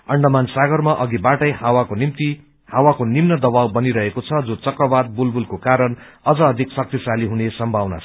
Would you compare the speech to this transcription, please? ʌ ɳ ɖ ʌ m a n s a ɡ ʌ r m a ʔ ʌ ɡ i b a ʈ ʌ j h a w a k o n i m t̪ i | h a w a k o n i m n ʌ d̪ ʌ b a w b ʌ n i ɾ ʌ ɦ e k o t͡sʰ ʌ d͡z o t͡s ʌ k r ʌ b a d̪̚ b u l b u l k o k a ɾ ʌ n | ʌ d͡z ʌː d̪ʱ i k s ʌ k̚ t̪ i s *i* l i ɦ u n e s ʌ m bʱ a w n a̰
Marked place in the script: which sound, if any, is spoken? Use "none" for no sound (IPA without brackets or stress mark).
a